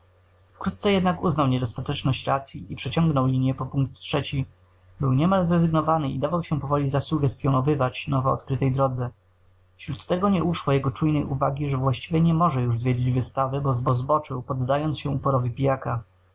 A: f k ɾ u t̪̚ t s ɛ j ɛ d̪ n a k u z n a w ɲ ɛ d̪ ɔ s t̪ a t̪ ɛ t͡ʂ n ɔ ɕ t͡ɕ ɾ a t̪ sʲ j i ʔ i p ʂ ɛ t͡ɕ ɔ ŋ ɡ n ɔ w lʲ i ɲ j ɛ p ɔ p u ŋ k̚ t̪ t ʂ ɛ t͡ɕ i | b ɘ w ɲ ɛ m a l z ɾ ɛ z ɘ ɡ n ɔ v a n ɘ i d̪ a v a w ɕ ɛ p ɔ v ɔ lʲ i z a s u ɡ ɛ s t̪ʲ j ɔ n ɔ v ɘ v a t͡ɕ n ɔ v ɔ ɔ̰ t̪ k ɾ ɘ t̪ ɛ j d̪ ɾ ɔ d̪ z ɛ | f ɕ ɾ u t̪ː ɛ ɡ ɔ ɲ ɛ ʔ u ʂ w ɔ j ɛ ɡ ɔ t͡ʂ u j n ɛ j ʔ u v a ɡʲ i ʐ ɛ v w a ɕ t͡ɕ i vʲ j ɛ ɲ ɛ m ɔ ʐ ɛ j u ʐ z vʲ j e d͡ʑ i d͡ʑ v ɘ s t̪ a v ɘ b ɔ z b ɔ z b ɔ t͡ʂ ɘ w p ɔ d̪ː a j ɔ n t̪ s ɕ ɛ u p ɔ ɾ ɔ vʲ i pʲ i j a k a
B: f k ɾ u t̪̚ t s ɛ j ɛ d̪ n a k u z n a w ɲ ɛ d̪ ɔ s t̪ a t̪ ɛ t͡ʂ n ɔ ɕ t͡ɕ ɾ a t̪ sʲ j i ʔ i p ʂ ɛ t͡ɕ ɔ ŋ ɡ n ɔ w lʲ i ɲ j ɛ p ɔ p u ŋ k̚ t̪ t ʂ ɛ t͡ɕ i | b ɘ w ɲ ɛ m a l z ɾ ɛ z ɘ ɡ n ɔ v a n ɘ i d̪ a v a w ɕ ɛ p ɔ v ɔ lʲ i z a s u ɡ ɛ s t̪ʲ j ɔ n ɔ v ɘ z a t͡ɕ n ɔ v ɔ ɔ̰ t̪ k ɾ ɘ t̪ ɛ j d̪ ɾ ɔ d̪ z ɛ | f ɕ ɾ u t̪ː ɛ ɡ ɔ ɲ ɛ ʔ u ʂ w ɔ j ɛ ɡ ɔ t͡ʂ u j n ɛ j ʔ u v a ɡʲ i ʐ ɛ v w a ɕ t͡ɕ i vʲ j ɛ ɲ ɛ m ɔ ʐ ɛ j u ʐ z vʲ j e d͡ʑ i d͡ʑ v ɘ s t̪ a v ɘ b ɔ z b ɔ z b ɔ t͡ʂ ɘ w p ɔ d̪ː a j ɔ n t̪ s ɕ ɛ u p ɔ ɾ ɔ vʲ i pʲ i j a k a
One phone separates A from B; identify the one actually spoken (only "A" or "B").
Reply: A